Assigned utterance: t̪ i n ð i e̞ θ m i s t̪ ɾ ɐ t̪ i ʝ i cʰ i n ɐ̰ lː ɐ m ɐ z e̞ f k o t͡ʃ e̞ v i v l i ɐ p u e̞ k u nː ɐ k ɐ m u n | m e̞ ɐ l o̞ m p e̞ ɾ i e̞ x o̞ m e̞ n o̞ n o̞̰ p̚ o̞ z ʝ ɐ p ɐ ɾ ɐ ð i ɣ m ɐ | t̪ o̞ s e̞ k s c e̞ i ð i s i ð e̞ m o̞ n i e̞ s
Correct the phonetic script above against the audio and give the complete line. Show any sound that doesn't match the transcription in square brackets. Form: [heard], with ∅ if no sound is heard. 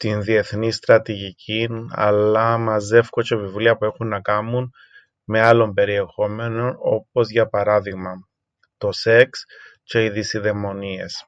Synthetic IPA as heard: t̪ i n ð i e̞ θ [n] i s t̪ ɾ ɐ t̪ i ʝ i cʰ i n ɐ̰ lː ɐ m ɐ z e̞ f k o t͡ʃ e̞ v i v l i ɐ p u e̞ [x] u nː ɐ k ɐ m u n | m e̞ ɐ l o̞ m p e̞ ɾ i e̞ x o̞ m e̞ n o̞ n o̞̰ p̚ o̞ z ʝ ɐ p ɐ ɾ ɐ ð i ɣ m ɐ | t̪ o̞ s e̞ k s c e̞ i ð i s i ð e̞ m o̞ n i e̞ s